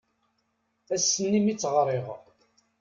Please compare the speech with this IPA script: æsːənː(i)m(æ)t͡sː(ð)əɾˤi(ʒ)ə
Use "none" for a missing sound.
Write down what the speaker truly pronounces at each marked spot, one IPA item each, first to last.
i, i, ʁ, ʁ

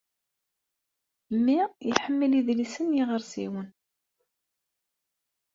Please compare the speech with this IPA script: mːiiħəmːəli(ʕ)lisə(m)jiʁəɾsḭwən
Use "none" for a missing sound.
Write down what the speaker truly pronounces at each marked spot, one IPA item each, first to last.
ð, n

